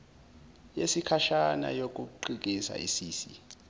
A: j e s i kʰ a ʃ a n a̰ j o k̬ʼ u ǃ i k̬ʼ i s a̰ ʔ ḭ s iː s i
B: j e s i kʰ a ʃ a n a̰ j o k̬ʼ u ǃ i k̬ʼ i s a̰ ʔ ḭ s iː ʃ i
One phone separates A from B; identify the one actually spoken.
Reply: A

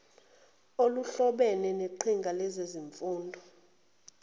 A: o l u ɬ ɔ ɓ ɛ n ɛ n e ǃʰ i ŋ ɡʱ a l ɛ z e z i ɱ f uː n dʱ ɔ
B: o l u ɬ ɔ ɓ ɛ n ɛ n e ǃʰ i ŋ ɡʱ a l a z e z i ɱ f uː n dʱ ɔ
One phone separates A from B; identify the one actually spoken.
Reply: A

